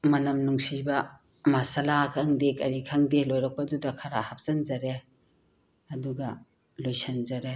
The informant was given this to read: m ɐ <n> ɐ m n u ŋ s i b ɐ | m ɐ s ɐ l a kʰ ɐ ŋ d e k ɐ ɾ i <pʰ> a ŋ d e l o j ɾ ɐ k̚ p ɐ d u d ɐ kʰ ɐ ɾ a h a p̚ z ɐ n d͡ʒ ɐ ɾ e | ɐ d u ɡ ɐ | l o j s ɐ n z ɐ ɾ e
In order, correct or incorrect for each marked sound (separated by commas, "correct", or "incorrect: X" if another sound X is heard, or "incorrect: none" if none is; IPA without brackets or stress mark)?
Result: correct, incorrect: kʰ